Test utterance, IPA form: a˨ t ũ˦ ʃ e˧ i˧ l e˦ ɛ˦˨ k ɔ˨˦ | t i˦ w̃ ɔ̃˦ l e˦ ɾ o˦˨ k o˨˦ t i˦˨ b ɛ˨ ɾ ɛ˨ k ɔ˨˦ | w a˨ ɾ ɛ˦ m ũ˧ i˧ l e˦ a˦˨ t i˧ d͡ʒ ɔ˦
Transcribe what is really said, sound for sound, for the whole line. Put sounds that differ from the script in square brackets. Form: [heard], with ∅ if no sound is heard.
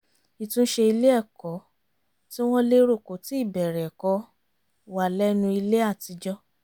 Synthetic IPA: [i˨] t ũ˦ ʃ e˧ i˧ l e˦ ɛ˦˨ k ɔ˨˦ | t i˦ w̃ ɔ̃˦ l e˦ ɾ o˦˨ k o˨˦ t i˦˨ b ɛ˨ ɾ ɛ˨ k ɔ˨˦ | w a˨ [l] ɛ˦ [n] ũ˧ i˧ l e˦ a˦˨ t i˧ d͡ʒ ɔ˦